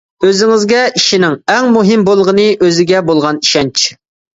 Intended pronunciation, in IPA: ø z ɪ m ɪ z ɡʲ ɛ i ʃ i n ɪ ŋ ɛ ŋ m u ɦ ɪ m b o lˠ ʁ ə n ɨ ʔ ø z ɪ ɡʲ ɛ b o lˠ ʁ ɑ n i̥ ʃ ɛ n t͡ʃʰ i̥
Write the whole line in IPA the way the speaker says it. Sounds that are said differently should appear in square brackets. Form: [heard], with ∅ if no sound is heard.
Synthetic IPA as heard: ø z ɪ [ŋ] ɪ z ɡʲ ɛ i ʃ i n ɪ ŋ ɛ ŋ m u ɦ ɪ m b o lˠ ʁ ə n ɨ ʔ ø z ɪ ɡʲ ɛ b o lˠ ʁ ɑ n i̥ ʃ ɛ n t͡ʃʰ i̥